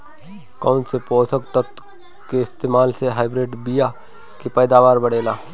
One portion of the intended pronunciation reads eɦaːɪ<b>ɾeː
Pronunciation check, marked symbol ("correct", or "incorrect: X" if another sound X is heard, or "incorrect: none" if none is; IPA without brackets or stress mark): correct